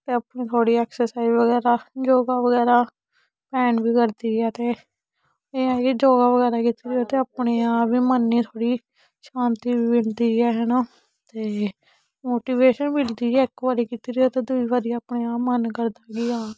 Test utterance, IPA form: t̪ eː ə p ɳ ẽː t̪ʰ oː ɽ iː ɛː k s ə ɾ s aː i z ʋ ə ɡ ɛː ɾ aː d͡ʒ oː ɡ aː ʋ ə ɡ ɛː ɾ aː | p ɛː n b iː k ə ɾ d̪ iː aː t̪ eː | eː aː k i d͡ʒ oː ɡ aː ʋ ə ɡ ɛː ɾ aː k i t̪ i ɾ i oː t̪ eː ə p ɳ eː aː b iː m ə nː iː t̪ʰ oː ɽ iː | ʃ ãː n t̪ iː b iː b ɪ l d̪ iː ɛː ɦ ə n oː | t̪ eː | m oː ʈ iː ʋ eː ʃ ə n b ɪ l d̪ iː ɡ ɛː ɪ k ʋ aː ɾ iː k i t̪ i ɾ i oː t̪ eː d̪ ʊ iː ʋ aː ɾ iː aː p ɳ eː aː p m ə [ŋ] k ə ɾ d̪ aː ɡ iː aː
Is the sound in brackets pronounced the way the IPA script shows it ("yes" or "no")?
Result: no